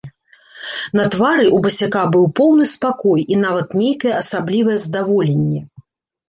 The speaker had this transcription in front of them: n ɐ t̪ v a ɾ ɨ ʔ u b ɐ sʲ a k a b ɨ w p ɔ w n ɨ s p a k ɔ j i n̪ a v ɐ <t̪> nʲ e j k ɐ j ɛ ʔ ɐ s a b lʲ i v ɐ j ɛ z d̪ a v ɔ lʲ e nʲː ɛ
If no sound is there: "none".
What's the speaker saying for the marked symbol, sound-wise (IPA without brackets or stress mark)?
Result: t̪